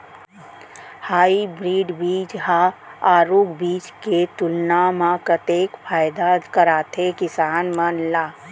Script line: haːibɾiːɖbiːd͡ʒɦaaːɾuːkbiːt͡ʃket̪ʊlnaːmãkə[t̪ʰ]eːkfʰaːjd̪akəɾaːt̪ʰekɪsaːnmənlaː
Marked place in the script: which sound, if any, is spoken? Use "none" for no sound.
t̪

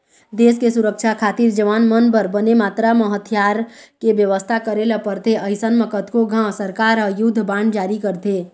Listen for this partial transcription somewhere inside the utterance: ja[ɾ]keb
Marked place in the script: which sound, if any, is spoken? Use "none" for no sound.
ɾ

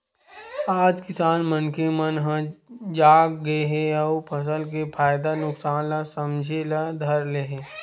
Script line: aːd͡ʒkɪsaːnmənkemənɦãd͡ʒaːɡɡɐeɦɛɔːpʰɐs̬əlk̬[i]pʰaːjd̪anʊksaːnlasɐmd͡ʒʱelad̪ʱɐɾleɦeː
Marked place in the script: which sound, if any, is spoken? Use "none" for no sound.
e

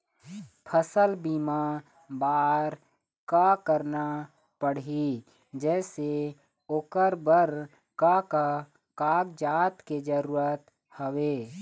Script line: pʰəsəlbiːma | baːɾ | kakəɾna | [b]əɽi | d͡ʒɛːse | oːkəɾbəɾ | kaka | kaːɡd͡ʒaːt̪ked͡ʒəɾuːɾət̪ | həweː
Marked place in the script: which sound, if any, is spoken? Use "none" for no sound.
p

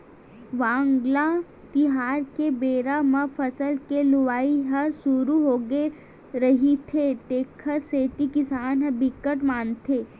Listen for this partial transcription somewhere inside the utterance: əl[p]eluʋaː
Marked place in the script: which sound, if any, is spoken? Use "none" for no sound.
k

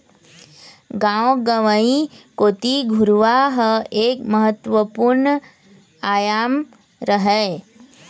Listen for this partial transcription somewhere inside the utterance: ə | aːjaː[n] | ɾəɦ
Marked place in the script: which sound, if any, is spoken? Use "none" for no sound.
m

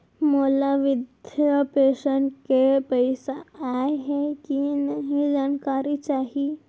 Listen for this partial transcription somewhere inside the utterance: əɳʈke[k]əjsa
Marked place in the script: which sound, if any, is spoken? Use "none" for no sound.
p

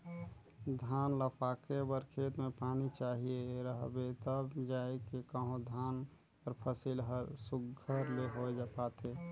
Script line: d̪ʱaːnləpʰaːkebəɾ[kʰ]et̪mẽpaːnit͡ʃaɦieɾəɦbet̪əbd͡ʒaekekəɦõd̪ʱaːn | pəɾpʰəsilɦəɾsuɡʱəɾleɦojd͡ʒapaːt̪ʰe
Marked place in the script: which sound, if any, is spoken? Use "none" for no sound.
kʰ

